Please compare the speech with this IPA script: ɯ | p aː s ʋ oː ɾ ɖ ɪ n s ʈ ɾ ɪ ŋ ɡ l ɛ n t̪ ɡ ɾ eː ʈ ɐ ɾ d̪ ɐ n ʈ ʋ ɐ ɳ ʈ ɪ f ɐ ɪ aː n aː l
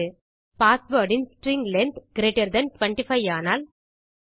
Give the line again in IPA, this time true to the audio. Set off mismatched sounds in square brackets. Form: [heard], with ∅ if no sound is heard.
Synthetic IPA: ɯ | p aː s ʋ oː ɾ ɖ ɪ n s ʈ ɾ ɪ ŋ ɡ l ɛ n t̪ ɡ ɾ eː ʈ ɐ ɾ d̪ ɐ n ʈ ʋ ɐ ɳ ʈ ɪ f ɐ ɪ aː n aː l